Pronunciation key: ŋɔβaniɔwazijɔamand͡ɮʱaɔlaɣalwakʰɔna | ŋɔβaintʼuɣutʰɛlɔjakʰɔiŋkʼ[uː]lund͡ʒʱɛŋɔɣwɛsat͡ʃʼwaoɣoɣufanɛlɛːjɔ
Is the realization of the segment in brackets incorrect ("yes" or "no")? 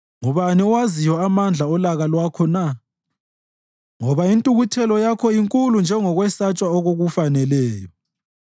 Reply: yes